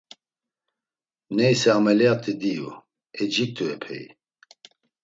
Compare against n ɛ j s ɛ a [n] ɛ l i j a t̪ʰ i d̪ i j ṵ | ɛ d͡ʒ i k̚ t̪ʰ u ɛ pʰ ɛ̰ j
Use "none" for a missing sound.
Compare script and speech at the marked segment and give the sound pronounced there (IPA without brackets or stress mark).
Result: m